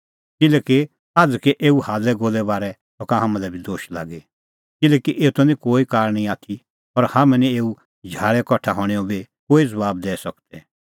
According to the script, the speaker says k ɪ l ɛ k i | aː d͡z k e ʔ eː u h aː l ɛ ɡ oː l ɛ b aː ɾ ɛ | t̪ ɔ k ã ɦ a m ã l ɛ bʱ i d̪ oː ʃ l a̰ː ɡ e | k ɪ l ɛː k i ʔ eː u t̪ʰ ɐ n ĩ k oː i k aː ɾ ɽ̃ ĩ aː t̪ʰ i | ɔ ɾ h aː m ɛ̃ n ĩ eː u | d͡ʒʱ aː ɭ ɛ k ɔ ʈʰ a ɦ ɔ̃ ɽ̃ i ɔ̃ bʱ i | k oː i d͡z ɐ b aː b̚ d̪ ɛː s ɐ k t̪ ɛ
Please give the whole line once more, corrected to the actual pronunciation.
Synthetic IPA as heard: k ɪ l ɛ k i | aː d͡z k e ʔ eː u h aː l ɛ ɡ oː l ɛ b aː ɾ ɛ | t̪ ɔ k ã ɦ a m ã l ɛ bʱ i d̪ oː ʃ l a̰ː ɡ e | k ɪ l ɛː k i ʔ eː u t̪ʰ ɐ n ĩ k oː i k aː ɾ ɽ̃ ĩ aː t̪ʰ i | ɔ ɾ h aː m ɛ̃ n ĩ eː u | d͡ʒʱ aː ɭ ɛ k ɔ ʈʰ a ɦ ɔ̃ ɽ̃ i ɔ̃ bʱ i | k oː i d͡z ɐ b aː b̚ d̪ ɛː s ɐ k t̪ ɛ